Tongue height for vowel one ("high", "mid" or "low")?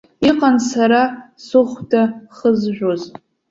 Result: high